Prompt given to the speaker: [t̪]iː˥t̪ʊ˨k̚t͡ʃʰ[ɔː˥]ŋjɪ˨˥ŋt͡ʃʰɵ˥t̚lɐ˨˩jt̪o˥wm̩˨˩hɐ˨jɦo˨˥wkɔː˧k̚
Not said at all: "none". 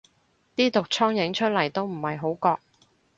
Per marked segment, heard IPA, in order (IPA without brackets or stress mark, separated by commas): t̪, ɔː˥